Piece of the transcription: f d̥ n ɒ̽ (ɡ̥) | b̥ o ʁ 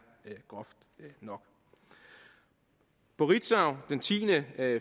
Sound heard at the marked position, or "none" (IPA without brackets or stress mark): ɡ̥